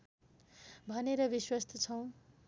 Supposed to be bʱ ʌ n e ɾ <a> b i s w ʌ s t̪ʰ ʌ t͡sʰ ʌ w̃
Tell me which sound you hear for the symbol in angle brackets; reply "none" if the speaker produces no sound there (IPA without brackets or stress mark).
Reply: ʌ